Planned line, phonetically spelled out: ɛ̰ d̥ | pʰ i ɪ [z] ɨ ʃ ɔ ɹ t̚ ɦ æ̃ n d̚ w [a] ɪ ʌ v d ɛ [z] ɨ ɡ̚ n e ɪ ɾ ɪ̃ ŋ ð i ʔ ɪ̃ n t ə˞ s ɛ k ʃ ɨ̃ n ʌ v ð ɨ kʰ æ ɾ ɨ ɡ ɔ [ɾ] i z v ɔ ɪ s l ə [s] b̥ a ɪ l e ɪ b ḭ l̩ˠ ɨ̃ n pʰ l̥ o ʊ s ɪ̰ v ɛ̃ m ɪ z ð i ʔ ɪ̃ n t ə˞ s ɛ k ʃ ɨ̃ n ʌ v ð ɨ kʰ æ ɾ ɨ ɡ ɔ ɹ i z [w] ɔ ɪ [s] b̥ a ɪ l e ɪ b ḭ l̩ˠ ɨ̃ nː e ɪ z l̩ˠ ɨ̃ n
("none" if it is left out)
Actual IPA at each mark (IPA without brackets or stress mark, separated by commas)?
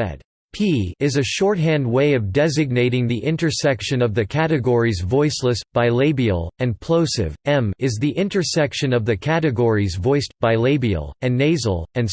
z, e, z, ɹ, s, v, s